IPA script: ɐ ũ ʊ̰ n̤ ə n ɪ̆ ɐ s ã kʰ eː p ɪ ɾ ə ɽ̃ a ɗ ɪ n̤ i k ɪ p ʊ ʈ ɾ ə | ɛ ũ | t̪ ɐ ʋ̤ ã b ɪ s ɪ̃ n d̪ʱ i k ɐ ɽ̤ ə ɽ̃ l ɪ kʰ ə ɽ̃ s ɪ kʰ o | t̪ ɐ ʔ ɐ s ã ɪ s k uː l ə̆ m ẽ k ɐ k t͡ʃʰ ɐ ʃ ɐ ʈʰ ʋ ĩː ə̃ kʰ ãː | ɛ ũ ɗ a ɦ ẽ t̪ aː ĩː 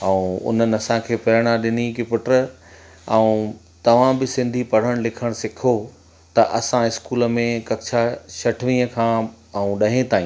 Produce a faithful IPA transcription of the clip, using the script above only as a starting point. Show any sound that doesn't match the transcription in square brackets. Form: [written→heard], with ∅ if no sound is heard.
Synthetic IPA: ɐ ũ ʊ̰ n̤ ə n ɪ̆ ɐ s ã kʰ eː p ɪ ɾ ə ɽ̃ a ɗ ɪ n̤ i k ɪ p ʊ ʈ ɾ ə | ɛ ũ | t̪ ɐ ʋ̤ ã b ɪ s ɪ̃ n d̪ʱ i [k→p] ɐ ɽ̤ ə ɽ̃ l ɪ kʰ ə ɽ̃ s ɪ kʰ o | t̪ ɐ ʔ ɐ s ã ɪ s k uː l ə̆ m ẽ k ɐ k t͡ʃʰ [ɐ→a] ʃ ɐ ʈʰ ʋ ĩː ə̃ kʰ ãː | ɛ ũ ɗ [a→ɐ] ɦ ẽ t̪ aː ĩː